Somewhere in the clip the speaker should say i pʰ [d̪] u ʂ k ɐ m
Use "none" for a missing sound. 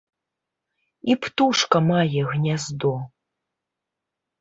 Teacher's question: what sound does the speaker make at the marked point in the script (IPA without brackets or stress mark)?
t̪